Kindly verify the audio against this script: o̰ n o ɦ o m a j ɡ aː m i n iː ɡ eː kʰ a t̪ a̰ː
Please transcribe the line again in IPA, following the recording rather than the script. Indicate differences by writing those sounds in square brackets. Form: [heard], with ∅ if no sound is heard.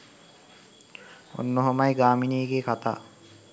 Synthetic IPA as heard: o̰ [nː] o ɦ o m a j ɡ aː m i n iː ɡ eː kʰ a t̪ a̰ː